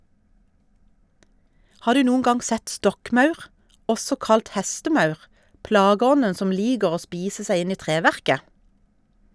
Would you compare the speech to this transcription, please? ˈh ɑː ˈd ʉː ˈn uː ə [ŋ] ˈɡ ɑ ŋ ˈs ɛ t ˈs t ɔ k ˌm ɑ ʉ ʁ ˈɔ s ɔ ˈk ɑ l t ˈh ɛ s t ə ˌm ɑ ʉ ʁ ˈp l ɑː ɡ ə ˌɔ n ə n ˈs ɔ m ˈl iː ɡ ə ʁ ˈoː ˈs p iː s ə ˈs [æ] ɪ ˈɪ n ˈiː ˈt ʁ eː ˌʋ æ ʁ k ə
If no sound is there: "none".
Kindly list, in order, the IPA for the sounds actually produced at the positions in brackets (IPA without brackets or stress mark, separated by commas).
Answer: n, æ